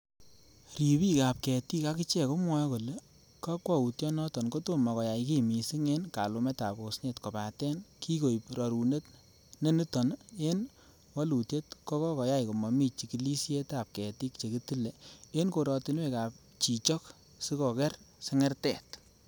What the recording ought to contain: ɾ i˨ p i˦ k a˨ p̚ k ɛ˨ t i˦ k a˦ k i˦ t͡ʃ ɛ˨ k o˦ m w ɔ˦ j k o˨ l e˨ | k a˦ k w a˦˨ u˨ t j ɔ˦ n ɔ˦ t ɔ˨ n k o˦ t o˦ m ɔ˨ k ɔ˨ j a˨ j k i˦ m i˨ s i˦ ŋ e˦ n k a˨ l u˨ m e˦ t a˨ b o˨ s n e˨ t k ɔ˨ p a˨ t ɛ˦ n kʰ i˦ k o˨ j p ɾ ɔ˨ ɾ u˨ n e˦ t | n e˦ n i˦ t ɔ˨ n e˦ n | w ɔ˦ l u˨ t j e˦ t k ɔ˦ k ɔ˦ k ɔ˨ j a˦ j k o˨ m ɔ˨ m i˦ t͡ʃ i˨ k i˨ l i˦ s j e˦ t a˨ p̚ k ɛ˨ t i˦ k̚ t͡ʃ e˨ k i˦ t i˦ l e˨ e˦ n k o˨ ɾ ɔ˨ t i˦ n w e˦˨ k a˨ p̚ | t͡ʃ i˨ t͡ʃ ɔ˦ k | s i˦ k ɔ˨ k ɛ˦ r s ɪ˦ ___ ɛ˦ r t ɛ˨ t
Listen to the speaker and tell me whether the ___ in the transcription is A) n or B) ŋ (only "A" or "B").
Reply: B